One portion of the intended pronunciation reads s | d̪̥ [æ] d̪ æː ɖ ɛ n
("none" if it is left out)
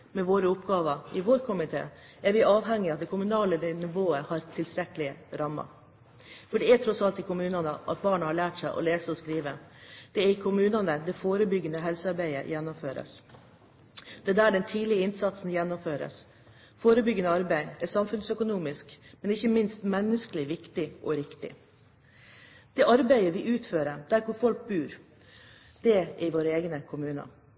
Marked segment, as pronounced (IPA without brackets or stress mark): ɛ